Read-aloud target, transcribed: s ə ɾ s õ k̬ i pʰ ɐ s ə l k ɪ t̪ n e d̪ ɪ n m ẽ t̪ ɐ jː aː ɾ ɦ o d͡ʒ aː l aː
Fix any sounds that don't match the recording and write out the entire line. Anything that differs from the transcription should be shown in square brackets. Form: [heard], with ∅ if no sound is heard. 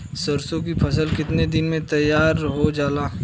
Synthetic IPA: s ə ɾ s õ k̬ i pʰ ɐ s ə l k ɪ t̪ n e d̪ ɪ n m ẽ t̪ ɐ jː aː ɾ ɦ o d͡ʒ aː l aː